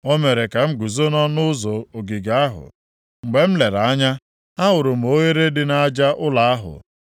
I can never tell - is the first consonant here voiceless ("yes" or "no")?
no